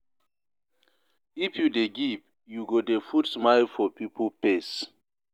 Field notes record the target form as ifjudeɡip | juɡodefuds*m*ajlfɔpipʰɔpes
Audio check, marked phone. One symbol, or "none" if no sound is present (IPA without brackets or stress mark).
m